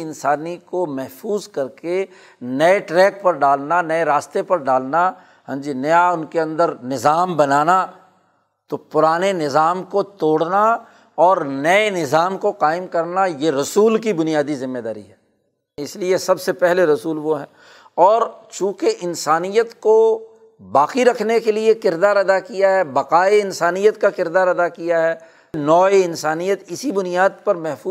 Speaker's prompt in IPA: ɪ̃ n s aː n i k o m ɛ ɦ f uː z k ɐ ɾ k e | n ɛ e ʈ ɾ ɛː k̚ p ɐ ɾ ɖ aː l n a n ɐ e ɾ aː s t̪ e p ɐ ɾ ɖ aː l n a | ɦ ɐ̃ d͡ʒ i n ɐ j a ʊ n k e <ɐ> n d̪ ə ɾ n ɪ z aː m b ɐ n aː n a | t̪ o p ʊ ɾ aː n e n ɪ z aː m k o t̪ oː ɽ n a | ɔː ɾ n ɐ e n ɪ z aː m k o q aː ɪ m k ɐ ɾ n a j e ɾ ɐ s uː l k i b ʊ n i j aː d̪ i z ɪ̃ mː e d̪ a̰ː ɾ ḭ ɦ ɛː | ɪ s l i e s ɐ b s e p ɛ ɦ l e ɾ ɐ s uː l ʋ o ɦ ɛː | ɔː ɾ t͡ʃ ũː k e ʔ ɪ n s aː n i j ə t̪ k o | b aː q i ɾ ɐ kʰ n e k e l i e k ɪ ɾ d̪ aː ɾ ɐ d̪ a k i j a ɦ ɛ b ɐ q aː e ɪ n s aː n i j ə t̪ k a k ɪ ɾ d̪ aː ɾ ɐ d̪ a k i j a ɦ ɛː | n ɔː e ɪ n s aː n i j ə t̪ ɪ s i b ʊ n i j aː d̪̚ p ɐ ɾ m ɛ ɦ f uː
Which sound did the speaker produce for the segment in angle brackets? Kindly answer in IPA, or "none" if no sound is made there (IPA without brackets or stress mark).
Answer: ɐ̃